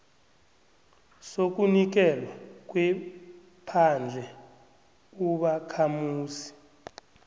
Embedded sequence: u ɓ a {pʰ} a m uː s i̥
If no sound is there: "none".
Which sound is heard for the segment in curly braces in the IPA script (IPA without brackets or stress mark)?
kʰ